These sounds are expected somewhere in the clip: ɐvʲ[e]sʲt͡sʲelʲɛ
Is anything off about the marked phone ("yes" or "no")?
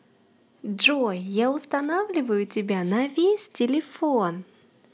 no